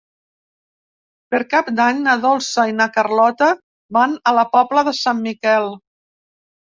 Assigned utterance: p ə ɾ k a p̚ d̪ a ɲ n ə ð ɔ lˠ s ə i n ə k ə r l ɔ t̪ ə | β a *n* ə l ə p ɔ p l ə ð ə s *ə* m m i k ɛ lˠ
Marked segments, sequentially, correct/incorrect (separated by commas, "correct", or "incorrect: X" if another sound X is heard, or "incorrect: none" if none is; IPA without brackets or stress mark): correct, incorrect: a